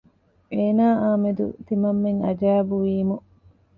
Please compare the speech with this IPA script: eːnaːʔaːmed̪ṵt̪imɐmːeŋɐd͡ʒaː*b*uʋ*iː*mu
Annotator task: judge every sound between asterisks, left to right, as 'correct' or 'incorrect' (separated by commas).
correct, correct